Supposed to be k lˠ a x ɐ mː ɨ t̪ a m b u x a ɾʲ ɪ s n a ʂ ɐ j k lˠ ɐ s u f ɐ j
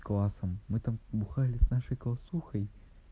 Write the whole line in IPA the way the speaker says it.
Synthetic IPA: k lˠ a s ɐ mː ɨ t̪ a m b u x a lʲ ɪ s n a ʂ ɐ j k lˠ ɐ s u x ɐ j